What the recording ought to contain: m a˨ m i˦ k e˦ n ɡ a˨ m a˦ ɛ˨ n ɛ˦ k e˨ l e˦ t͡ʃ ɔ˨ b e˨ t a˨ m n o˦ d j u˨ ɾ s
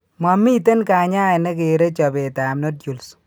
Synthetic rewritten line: m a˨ m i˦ t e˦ n k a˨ ɲ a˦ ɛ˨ n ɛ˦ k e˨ ɾ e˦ t͡ʃ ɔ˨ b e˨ t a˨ m n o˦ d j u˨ l s